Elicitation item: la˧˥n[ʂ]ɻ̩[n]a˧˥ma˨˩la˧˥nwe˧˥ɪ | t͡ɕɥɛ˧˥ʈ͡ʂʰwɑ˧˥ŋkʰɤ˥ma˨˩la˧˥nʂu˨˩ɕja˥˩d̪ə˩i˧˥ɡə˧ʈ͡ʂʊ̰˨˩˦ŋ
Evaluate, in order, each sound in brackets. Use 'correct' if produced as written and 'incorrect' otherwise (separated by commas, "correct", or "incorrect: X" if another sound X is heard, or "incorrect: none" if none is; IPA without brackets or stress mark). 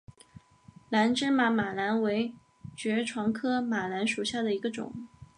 incorrect: ʈ͡ʂ, incorrect: m